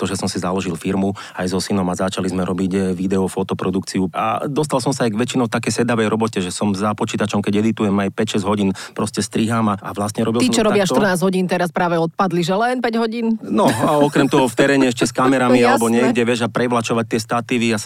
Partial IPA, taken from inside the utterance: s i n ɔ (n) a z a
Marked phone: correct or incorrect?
incorrect